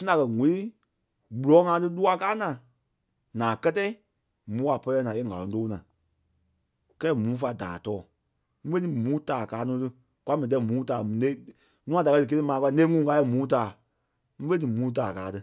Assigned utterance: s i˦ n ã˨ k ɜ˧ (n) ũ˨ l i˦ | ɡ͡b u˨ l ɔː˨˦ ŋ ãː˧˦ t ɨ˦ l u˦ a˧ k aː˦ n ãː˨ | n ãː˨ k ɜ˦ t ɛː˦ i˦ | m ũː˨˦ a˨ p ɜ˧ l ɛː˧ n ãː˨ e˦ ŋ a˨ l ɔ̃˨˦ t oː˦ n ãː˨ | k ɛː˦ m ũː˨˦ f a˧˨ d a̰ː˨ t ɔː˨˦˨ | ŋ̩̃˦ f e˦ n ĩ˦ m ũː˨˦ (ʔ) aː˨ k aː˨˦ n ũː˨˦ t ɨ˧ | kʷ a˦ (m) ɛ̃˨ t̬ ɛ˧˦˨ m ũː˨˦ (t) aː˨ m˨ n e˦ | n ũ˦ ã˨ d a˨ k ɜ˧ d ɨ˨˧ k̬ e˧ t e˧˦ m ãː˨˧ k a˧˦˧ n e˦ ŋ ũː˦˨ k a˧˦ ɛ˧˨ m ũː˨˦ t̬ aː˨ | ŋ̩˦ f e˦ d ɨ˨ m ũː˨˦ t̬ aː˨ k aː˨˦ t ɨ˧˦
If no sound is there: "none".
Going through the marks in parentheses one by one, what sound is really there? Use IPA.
ŋ, t, m, t

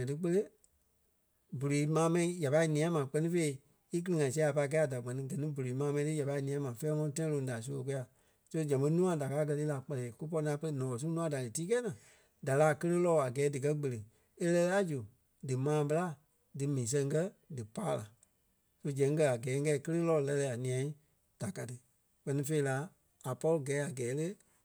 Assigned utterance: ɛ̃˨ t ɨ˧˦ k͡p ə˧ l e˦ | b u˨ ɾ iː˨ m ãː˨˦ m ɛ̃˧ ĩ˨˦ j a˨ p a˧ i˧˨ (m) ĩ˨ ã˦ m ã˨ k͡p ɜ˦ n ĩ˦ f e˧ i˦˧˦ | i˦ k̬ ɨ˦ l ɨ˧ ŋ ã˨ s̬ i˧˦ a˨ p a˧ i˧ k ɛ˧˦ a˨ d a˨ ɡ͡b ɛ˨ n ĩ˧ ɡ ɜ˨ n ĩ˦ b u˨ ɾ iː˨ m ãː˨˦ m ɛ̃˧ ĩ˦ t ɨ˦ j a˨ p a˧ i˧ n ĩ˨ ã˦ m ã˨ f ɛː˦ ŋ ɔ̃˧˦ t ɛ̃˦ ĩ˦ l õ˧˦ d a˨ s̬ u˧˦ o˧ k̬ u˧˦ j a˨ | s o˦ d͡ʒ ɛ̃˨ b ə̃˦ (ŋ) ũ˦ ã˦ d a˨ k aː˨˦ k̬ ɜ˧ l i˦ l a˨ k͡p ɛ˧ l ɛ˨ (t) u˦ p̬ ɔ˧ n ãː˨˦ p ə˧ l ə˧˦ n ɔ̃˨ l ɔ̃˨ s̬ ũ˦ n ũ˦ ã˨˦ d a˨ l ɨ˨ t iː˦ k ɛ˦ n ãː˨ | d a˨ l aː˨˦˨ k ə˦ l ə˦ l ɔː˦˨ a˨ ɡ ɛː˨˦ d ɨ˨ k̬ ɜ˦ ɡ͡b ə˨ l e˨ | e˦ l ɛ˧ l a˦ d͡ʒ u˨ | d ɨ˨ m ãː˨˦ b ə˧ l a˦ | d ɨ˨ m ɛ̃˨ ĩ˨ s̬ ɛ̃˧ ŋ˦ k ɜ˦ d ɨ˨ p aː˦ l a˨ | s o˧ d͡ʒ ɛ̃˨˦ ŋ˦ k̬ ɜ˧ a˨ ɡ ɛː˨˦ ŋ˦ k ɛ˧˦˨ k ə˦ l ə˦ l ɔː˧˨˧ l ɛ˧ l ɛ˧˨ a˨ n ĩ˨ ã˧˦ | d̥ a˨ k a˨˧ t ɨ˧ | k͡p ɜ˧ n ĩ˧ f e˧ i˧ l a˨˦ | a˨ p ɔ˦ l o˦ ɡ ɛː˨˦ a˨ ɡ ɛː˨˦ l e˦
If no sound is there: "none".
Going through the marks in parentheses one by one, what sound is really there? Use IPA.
n, n, k

